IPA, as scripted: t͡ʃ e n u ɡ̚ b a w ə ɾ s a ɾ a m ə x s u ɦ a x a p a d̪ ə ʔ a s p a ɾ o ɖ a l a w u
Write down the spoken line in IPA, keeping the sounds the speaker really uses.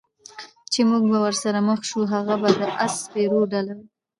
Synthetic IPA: t͡ʃ e m u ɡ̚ b a w ə ɾ s a ɾ a m ə x ʃ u ɦ a ɣ a b a d̪ ə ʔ a s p e ɾ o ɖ a l a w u